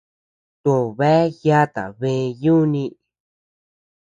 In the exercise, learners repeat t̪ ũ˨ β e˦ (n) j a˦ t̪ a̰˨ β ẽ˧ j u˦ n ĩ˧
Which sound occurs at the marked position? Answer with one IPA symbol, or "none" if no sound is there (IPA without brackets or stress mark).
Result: none